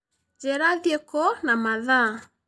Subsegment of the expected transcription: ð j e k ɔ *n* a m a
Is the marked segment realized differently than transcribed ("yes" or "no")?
no